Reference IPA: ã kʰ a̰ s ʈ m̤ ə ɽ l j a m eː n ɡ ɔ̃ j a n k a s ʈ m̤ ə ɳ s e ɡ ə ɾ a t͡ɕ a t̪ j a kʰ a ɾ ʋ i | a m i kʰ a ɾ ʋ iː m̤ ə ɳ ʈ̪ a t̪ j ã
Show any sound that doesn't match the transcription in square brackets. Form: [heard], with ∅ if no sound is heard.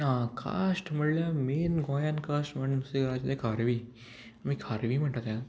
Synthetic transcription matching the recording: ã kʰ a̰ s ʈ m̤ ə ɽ l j a m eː n ɡ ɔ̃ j a n k a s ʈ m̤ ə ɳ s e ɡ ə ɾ a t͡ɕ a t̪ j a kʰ a ɾ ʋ i | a m i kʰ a ɾ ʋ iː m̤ ə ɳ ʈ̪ a t̪ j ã